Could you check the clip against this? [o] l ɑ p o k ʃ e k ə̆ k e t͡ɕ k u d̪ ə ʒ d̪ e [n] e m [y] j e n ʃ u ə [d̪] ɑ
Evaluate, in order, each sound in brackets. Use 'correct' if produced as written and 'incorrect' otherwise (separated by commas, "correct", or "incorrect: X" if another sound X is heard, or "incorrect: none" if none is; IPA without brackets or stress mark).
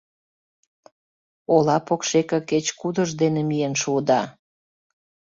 correct, correct, incorrect: i, correct